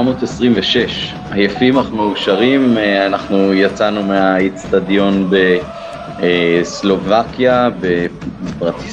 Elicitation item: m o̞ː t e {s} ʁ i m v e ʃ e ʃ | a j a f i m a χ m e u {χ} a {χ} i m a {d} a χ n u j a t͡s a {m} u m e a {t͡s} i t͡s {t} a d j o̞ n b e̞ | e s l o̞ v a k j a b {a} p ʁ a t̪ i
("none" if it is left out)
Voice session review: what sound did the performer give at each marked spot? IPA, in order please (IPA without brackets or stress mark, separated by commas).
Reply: s, ʃ, ʁ, n, n, none, t, e